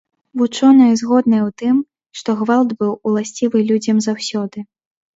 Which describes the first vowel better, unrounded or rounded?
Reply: rounded